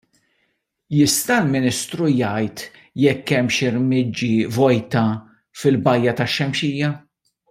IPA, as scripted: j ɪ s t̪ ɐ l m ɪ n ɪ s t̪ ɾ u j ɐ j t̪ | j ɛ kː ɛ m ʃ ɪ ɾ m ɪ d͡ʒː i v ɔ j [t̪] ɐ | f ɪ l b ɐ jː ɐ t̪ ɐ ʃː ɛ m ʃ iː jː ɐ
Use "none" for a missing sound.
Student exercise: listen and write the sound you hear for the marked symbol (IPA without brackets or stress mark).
t̪